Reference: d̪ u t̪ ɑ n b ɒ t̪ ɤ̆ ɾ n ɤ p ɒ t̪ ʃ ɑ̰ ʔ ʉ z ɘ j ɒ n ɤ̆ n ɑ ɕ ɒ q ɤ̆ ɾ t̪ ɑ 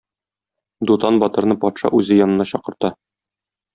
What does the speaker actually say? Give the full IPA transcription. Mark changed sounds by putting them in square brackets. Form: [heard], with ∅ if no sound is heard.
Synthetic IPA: d̪ u t̪ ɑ n b ɒ t̪ ɤ̆ ɾ n ɤ p ɒ t̪ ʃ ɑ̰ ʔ ʉ z ɘ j ɒ n ɤ̆ n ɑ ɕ ɒ q ɤ̆ ɾ t̪ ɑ